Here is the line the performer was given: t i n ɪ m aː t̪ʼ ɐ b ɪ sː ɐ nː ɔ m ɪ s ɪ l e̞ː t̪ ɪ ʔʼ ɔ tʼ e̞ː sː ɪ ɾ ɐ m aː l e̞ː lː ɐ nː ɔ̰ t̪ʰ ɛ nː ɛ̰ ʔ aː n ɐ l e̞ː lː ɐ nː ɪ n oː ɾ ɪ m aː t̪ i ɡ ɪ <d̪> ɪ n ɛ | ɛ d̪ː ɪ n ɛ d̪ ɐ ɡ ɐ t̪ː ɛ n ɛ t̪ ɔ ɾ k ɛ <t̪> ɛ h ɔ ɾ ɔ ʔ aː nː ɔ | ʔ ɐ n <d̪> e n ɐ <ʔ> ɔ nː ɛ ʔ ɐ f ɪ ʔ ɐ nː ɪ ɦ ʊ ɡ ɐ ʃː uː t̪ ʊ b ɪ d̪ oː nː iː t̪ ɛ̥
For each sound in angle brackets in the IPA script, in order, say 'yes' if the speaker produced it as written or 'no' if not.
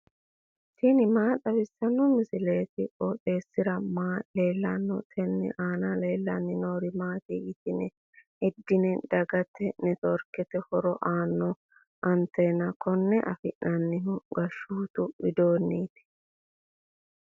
no, yes, no, no

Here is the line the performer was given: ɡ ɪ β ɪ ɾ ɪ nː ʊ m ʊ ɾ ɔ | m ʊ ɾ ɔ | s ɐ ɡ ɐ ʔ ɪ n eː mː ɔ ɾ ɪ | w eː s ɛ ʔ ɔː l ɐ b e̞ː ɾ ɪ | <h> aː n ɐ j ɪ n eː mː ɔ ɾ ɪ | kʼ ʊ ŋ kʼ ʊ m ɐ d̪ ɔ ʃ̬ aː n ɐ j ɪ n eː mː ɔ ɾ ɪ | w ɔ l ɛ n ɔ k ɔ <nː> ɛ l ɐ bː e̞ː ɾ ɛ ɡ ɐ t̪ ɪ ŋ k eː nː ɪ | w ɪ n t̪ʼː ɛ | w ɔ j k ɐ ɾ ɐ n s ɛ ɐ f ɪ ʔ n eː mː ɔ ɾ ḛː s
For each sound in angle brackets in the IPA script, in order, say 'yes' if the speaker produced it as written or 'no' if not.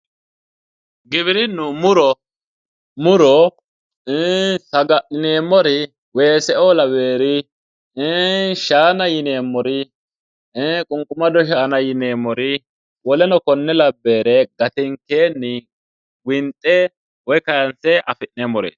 no, yes

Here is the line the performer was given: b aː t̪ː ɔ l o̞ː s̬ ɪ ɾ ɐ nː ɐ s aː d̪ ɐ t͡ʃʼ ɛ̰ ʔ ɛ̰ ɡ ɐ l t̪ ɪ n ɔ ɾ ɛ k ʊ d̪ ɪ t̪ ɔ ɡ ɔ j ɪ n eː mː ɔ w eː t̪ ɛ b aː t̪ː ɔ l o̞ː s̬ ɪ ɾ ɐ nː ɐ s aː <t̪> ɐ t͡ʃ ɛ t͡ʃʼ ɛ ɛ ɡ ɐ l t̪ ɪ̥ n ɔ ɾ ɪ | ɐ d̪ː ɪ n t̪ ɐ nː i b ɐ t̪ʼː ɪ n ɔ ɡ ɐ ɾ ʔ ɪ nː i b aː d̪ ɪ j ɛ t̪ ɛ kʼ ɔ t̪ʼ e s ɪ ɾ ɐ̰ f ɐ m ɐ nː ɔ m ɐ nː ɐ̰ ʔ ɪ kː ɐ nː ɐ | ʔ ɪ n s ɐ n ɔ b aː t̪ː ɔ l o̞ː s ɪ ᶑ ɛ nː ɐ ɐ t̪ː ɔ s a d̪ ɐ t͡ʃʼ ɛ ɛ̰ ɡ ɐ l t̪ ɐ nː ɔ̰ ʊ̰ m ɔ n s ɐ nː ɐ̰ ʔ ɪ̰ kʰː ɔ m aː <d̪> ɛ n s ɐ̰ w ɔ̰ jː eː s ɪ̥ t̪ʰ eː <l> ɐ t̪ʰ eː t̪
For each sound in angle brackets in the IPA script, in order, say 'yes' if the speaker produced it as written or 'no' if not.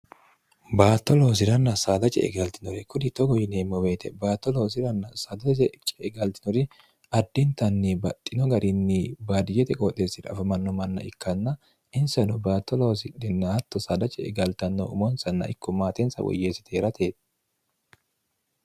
no, no, no

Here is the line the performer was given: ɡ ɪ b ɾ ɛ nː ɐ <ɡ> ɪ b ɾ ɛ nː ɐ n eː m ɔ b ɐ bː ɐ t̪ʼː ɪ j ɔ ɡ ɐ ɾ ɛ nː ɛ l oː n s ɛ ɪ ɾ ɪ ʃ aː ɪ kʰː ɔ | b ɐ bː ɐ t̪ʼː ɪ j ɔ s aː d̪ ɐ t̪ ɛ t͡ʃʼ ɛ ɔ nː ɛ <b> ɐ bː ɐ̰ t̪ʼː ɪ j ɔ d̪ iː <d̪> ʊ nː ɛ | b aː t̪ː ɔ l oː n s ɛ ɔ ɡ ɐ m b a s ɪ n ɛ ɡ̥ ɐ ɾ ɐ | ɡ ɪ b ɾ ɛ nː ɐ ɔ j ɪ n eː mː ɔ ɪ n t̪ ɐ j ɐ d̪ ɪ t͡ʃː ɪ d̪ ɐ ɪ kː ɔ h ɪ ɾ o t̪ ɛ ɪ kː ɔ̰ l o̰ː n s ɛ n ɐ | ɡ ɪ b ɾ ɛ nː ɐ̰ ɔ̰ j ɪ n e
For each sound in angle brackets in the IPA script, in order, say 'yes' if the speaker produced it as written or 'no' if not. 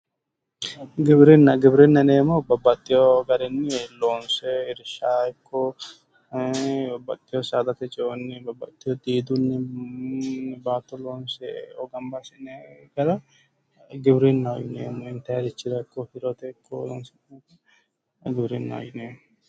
yes, yes, yes

